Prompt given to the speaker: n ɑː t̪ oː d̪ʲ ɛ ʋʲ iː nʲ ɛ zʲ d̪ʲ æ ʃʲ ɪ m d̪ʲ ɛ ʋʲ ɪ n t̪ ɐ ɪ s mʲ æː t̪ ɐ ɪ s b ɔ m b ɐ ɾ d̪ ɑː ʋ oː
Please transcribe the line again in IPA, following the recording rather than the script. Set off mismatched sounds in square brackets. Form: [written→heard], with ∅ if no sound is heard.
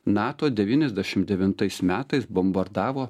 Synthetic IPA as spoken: n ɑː t̪ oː d̪ʲ ɛ ʋʲ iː nʲ ɛ zʲ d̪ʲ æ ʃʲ ɪ m d̪ʲ ɛ ʋʲ ɪ n t̪ ɐ ɪ s mʲ æː t̪ ɐ ɪ s b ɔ m b ɐ ɾ d̪ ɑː ʋ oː